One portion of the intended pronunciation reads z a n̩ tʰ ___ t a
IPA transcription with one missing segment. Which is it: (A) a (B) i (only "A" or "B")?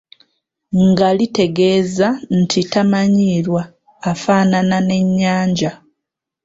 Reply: B